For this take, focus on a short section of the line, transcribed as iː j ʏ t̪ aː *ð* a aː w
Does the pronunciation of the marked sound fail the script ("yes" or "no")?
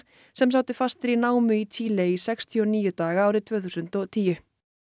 yes